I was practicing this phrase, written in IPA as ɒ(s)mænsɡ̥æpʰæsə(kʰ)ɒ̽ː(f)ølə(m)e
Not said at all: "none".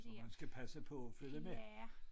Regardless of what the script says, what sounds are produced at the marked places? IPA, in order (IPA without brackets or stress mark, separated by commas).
none, pʰ, f, m